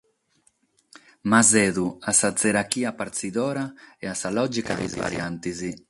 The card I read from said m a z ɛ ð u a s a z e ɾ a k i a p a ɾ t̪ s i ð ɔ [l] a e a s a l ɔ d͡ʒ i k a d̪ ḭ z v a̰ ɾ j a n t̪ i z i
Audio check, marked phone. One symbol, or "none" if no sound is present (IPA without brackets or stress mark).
ɾ